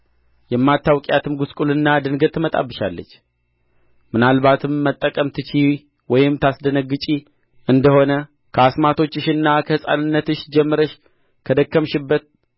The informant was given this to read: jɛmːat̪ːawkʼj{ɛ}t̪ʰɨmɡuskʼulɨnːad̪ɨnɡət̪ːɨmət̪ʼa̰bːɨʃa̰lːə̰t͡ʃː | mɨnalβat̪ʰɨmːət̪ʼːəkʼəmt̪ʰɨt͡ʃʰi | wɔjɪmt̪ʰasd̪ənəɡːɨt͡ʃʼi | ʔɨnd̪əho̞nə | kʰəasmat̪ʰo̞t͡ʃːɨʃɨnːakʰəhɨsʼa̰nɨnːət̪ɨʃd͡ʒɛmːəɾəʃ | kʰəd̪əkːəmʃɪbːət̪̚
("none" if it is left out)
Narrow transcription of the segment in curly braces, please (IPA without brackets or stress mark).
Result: a